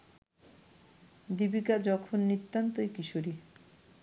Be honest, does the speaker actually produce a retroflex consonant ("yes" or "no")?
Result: no